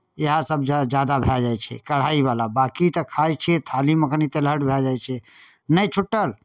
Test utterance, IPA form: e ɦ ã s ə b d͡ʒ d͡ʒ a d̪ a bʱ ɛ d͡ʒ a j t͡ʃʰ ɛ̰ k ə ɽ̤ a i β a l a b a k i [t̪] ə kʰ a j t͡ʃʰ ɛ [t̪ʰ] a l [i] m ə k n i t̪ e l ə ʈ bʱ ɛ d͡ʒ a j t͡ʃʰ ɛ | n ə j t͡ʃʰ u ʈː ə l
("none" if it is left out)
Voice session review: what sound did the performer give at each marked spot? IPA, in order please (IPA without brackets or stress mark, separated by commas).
t̪, t̪ʰ, i